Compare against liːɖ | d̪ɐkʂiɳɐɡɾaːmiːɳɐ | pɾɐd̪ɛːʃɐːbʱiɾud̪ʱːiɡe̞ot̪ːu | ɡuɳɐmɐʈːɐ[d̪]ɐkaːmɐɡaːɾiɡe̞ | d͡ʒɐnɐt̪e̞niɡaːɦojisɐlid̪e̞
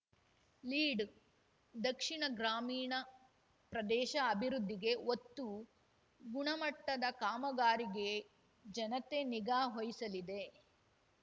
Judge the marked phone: correct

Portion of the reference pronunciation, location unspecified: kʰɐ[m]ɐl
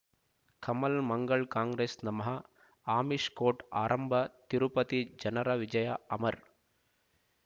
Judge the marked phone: correct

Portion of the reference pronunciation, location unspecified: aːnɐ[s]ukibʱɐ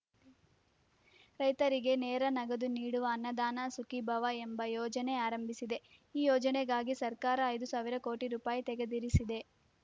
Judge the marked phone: correct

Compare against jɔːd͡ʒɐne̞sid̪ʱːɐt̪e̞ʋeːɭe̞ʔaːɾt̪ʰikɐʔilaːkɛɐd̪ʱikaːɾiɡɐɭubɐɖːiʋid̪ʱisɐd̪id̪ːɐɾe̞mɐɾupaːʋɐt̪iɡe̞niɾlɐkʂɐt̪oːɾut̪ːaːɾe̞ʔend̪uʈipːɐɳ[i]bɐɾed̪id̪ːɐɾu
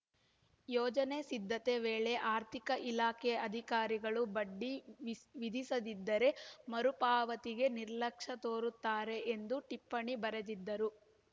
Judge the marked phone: correct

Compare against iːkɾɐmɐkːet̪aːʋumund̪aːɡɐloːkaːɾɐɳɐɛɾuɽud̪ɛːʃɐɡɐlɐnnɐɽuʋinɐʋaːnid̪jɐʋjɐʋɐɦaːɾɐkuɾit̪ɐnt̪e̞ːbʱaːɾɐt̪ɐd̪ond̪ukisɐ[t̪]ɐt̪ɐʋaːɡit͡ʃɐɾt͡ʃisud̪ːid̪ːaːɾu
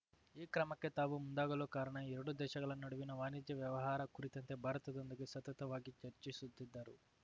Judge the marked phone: correct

